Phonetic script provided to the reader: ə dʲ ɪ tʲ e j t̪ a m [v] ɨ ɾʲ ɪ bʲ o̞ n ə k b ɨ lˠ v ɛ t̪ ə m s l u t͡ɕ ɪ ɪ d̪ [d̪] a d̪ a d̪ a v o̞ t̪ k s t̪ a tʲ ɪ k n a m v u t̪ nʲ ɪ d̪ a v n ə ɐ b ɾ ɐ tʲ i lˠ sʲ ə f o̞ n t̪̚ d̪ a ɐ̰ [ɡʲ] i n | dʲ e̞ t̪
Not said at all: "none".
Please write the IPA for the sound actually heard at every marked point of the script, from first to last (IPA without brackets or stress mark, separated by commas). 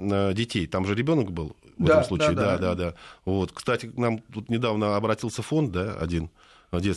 ʐ, d̪, dʲ